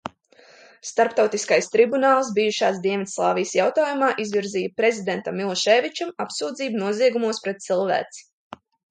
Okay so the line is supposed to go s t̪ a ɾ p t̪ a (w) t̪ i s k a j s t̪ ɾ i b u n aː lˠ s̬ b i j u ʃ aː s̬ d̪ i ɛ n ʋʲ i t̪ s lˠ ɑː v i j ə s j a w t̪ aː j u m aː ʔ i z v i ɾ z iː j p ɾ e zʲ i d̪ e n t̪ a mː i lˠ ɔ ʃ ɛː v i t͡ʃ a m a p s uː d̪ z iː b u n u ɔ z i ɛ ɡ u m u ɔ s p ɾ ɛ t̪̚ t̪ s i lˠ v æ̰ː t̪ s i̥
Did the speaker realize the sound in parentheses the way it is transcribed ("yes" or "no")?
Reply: yes